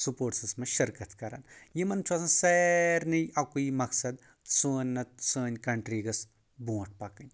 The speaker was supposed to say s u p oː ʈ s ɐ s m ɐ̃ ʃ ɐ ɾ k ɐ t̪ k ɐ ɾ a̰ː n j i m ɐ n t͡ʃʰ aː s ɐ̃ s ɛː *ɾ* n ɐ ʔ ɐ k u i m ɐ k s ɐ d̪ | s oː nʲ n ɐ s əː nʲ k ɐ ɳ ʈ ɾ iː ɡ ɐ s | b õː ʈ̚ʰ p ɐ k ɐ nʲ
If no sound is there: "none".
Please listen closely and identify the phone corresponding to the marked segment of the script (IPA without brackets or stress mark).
ɾ